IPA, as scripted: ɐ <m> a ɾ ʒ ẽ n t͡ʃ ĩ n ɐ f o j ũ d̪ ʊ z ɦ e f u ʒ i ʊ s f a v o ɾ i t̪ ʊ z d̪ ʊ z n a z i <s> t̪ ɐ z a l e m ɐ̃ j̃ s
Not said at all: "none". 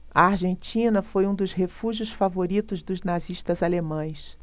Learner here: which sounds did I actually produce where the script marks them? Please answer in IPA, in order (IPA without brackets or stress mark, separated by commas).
none, ʃ